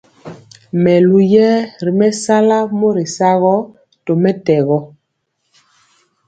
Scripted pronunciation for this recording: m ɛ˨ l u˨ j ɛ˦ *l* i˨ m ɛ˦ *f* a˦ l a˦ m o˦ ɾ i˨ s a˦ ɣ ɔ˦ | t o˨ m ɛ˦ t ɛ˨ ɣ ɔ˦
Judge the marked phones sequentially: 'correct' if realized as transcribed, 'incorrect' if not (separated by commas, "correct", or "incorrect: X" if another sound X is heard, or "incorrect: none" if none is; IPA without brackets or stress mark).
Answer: incorrect: ɾ, incorrect: s